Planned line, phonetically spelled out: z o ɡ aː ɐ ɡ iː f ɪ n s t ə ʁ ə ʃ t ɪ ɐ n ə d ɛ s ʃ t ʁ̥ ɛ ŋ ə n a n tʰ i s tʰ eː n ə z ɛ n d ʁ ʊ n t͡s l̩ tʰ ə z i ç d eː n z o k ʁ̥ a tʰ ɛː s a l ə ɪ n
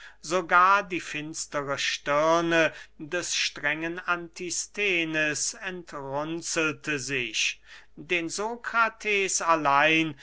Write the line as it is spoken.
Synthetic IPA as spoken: z o ɡ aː ɐ d iː f ɪ n s t ə ʁ ə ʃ t ɪ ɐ n ə d ɛ s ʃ t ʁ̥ ɛ ŋ ə n a n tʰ i s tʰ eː n ə s ɛ n t ʁ ʊ n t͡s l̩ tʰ ə z ɪ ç d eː n z o k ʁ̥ a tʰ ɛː s a l a ɪ n